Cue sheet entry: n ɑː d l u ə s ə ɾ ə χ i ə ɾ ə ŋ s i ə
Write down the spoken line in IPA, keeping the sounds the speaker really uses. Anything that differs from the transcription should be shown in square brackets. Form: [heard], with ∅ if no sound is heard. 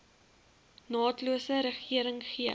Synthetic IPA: n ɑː [t] l u ə s ə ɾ ə χ i ə ɾ ə ŋ [χ] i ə